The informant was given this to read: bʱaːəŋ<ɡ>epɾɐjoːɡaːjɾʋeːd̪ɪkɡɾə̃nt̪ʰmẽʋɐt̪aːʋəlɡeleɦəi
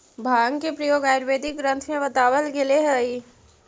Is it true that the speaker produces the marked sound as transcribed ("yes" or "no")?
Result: no